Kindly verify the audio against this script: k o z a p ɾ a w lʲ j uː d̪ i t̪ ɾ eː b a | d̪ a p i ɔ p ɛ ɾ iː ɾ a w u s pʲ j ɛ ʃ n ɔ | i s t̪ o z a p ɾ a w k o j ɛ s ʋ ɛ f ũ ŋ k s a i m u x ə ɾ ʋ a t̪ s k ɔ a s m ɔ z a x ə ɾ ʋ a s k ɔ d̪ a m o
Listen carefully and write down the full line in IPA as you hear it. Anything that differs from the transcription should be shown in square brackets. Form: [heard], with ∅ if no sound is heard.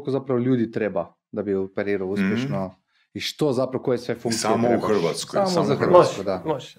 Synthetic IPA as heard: k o z a p ɾ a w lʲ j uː d̪ i t̪ ɾ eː b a | d̪ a [b] i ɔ p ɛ ɾ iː ɾ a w u s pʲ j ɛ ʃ n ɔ | i [ʃ] t̪ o z a p ɾ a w k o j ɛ s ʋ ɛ f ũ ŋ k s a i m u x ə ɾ ʋ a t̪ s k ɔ a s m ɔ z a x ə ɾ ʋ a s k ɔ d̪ a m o